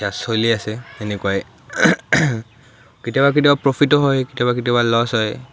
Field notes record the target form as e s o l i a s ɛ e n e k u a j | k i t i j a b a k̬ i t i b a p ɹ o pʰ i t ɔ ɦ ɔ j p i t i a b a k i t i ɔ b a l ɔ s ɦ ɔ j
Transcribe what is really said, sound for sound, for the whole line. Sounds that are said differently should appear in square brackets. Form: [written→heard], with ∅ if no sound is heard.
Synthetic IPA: [e→a] s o l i a s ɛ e n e k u a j | k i t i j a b a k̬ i t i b a p ɹ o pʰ i t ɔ ɦ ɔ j [p→k] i t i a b a k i t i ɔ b a l ɔ s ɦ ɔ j

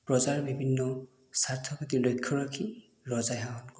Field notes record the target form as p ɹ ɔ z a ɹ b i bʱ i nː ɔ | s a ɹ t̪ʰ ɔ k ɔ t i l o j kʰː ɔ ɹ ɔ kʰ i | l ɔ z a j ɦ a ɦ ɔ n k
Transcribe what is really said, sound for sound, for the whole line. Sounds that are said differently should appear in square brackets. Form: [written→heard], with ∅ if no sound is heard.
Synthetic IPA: p ɹ ɔ z a ɹ b i bʱ i nː ɔ | s a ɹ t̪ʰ ɔ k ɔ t i l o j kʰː ɔ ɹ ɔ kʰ i | l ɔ z a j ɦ a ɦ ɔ n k

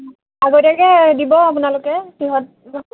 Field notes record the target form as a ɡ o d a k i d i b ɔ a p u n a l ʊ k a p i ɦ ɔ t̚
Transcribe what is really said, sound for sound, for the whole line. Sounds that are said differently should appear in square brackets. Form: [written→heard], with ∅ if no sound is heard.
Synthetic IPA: a ɡ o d a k [i→ɛ] d i b ɔ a p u n a l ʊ k [a→ɛ] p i ɦ ɔ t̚

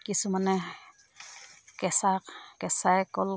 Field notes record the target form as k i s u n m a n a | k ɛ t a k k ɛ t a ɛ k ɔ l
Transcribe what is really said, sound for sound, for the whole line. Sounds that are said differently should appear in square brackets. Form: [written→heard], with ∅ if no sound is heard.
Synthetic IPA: k i s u [n→∅] m a n [a→ɛ] | k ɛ [t→s] a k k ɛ [t→s] a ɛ k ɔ l

